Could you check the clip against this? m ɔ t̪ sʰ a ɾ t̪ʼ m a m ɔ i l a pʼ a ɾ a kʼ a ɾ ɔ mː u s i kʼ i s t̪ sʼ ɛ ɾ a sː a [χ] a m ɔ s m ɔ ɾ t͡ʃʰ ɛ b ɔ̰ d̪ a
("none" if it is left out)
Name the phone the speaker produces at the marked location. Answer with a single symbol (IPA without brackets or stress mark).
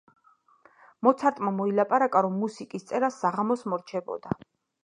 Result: ʁ